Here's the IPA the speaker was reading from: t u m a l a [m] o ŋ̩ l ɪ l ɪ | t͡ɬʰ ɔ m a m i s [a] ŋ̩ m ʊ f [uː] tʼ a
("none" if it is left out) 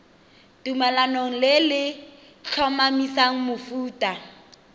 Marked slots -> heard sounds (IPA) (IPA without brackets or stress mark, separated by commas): n, a, uː